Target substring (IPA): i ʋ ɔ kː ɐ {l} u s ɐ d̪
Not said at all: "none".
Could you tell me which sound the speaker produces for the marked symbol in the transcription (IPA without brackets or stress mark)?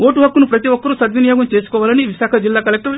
ɾ